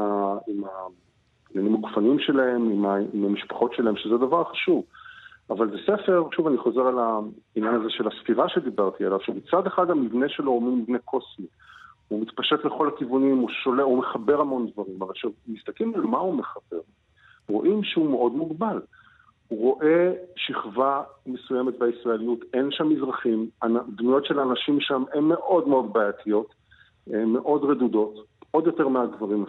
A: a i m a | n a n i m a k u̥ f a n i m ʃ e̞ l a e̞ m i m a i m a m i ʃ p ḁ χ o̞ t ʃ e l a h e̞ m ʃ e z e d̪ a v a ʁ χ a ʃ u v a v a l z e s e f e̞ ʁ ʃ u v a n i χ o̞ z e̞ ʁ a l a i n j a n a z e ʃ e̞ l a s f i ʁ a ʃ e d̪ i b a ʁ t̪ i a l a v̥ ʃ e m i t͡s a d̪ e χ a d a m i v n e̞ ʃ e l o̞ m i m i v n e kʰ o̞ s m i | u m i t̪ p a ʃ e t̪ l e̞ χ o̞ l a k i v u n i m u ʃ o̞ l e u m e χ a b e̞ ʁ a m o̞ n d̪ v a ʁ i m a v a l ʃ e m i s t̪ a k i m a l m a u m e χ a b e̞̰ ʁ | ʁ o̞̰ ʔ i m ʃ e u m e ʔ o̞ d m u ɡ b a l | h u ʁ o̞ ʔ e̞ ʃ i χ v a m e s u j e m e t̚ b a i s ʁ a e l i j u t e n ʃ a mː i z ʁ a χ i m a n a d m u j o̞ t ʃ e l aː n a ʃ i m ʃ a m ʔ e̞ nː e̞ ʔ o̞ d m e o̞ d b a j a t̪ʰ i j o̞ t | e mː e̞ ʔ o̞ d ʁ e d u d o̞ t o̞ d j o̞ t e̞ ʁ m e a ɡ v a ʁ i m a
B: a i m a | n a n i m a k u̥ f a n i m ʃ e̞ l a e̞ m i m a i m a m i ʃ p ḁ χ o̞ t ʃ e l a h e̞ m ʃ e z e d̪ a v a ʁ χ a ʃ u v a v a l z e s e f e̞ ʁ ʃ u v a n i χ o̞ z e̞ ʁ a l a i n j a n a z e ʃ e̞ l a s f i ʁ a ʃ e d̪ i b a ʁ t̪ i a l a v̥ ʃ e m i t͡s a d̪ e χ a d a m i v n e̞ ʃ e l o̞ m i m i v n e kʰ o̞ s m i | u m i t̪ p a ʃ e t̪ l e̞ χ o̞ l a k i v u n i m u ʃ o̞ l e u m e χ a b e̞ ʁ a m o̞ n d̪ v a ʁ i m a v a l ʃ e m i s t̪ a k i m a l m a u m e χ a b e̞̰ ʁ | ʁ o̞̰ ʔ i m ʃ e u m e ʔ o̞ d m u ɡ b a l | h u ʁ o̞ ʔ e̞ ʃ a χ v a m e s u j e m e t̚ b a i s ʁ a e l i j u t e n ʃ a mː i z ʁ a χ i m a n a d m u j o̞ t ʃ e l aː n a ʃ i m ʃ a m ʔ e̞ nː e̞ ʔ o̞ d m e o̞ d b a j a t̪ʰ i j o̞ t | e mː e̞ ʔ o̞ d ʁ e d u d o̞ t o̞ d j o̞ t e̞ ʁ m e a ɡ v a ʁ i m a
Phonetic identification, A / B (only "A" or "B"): A